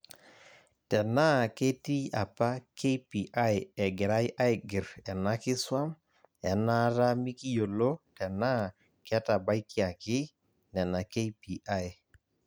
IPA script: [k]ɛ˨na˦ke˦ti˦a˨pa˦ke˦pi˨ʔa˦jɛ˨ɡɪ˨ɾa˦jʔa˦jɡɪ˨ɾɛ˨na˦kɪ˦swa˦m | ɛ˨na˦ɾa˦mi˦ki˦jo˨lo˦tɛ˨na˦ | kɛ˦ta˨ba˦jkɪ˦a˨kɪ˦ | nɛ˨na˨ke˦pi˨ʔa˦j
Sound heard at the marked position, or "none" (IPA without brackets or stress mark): t